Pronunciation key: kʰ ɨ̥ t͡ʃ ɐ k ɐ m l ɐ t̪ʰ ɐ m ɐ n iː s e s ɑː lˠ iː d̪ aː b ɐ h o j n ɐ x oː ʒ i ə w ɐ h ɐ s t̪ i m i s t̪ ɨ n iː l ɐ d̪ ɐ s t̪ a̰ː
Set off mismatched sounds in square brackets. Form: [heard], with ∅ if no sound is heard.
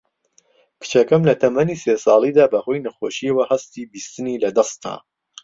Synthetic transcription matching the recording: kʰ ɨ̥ t͡ʃ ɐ k ɐ m l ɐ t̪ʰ ɐ m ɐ n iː s e s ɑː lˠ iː d̪ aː b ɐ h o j n ɐ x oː [ʃ] i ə w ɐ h ɐ s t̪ i [b] i s t̪ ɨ n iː l ɐ d̪ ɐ s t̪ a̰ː